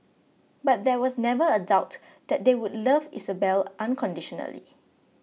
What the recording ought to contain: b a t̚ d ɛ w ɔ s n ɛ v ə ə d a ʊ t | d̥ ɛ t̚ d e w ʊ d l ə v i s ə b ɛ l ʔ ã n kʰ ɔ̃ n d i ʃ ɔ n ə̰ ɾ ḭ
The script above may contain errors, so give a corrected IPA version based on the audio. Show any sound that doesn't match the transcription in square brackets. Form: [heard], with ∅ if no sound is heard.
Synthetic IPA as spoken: b a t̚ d ɛ w ɔ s n ɛ v ə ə d a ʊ t | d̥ ɛ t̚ d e w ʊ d l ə v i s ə b ɛ l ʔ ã n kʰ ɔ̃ n d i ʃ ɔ n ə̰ [l] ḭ